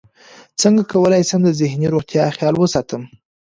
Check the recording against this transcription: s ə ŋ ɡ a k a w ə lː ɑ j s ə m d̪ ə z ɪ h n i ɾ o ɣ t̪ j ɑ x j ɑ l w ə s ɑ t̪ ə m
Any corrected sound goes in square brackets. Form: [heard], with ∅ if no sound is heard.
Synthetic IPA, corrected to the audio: [t͡s] ə ŋ ɡ a k a w ə [l] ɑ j s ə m d̪ ə z ɪ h n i ɾ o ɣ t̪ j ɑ x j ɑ l w ə s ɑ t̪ ə m